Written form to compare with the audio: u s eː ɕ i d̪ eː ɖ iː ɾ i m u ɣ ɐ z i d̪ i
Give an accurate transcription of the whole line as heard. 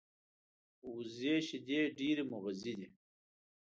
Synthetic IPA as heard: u z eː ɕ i d̪ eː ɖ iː ɾ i m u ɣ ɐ z i d̪ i

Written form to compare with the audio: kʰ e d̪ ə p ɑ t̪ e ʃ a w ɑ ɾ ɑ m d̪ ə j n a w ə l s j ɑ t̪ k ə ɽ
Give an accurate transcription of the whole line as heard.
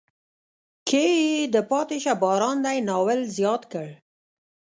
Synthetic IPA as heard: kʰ e d̪ ə p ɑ t̪ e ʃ a b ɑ ɾ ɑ n d̪ a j n ɑ w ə l z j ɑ t̪ k ə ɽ

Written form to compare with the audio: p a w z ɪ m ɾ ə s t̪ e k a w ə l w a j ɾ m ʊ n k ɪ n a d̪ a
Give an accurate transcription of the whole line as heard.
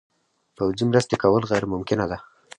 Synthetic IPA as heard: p a w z i m ɾ ə s t̪ e k a w ə l ɣ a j ɾ m ʊ m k ɪ n a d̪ a

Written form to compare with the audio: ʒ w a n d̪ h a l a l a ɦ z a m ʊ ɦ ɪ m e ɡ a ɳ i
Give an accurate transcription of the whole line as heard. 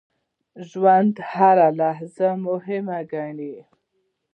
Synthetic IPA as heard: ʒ w a n d̪ h a ɾ a l a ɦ z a m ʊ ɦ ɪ m a ɡ a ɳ i

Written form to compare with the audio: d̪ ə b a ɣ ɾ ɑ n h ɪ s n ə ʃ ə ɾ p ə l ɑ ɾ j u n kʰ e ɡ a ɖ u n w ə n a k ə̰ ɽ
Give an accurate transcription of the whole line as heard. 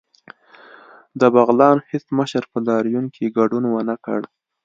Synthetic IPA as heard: d̪ ə b a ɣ l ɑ n h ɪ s m ə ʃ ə ɾ p ə l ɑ ɾ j u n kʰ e ɡ a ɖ u n w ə n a k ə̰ ɽ

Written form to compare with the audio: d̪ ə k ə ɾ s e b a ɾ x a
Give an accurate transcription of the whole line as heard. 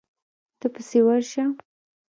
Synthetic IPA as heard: t̪ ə p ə s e w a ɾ ʃ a

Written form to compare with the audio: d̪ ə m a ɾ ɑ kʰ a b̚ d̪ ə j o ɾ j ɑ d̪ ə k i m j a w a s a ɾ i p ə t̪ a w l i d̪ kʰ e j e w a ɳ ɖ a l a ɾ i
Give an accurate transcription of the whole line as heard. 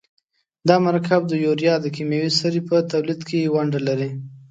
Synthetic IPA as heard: d̪ ɑ m a ɾ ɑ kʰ a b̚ d̪ ə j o ɾ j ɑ d̪ ə k i m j a w i s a ɾ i p ə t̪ a w l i d̪ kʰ e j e w a ɳ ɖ a l a ɾ i

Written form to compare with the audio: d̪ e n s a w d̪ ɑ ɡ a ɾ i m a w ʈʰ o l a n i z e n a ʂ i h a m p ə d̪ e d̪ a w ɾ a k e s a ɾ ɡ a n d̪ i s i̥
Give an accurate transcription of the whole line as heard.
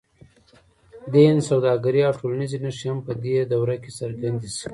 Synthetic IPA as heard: d̪ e n s a w d̪ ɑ ɡ a ɾ i a w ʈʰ o l a n i z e n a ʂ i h a m p ə d̪ e d̪ a w ɾ a k e s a ɾ ɡ a n d̪ i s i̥

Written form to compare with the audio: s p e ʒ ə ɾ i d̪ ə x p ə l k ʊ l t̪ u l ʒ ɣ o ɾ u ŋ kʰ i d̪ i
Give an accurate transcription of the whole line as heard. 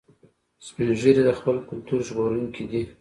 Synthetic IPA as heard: s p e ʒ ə ɾ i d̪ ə x p ə l k ʊ l t̪ u ɾ ʒ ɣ o ɾ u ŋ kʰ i d̪ i

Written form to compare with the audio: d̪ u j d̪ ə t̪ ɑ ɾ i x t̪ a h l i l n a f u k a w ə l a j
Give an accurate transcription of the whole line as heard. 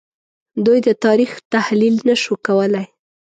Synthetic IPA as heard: d̪ u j d̪ ə t̪ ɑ ɾ i x t̪ a h l i l n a ʃ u k a w ə l a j

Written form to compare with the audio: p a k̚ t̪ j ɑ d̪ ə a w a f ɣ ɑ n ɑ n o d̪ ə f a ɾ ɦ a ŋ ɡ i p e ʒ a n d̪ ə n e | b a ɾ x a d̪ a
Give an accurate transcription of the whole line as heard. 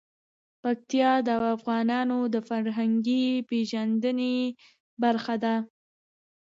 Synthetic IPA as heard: p a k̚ t̪ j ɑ d̪ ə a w a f ɣ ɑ n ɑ n o d̪ ə f a ɾ ɦ a ŋ ɡ i p e ʒ a n d̪ ə n e | b a ɾ x a d̪ a

